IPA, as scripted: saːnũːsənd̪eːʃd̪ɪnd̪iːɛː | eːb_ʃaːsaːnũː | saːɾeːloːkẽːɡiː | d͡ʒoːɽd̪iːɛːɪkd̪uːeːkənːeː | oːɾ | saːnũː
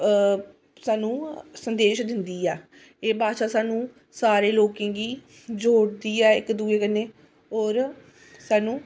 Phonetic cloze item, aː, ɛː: aː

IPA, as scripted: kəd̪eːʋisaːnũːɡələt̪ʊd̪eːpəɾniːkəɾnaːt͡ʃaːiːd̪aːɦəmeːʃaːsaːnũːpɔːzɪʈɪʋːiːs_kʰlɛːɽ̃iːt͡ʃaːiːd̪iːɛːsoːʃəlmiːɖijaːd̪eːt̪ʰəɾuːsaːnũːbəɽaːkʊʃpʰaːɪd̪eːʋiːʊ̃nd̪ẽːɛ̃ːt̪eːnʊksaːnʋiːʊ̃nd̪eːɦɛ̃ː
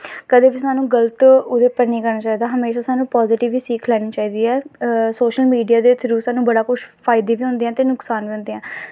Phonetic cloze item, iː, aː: iː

